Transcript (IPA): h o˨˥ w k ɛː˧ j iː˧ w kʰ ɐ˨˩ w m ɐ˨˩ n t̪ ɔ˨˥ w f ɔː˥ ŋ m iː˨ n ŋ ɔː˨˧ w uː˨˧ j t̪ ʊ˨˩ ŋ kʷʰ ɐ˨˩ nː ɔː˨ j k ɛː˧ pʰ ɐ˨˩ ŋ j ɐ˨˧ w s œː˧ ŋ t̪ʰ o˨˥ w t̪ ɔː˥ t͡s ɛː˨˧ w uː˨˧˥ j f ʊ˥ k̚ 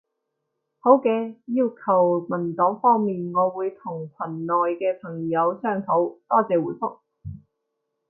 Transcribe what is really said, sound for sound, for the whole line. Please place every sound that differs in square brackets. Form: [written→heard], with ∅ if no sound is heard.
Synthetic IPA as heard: h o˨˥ w k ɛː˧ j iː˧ w kʰ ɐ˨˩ w m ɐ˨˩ n t̪ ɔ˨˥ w f ɔː˥ ŋ m iː˨ n ŋ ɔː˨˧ w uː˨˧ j [t̪→t̪ʰ] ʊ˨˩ ŋ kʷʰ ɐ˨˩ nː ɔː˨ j k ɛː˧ pʰ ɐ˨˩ ŋ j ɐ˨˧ w s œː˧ ŋ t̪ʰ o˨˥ w t̪ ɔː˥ t͡s ɛː˨˧ w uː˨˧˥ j f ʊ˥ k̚